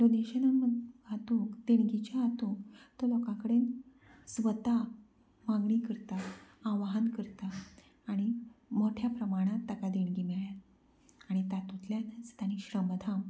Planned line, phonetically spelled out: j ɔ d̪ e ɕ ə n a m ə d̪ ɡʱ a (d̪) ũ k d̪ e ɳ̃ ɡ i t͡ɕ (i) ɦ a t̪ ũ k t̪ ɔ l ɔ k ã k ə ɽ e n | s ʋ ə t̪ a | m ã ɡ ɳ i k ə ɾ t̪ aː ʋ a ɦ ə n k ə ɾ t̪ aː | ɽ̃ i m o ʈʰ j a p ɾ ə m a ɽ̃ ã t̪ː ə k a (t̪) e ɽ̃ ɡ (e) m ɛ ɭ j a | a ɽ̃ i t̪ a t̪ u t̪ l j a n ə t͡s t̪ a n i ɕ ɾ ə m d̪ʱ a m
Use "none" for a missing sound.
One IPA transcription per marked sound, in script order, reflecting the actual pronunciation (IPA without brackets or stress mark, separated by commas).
t̪, a, d̪, i